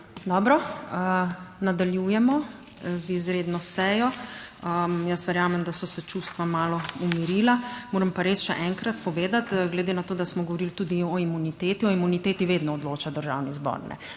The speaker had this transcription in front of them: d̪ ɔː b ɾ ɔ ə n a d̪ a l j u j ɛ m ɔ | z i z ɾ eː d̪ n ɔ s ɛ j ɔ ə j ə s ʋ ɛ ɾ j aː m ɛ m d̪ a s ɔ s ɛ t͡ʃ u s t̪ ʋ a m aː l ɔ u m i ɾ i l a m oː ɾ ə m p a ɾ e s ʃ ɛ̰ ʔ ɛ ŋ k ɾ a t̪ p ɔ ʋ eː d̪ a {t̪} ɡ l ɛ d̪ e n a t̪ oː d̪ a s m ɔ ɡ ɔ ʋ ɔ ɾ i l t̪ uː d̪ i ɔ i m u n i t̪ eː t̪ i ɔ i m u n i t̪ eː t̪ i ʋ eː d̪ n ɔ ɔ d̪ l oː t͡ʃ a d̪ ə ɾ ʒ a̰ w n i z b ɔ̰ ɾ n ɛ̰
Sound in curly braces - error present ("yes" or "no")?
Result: no